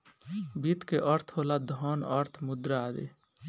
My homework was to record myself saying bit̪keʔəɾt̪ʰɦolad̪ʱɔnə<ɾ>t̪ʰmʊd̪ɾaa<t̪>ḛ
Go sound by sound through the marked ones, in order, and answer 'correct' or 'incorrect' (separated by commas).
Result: correct, incorrect